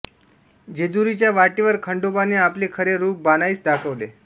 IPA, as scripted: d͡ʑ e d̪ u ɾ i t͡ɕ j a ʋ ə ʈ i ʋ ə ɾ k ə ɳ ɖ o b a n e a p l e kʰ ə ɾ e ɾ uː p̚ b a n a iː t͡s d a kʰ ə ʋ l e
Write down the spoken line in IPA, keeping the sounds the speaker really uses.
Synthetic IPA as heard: d͡ʑ e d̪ u ɾ i t͡ɕ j a ʋ a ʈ i ʋ ə ɾ kʰ ə ɳ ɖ o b a n e a p l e kʰ ə ɾ e ɾ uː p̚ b a n a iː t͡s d a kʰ ə ʋ l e